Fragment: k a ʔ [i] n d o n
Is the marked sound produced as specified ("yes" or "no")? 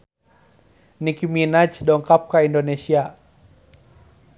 yes